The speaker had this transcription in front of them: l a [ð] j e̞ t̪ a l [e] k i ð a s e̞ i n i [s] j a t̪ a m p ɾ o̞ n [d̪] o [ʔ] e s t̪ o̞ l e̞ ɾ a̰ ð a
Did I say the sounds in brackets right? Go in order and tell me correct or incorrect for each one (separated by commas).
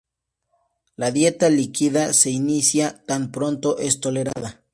correct, incorrect, correct, incorrect, correct